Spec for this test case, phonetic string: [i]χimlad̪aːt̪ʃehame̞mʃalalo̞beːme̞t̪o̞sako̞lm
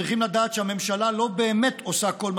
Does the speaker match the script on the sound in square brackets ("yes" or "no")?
yes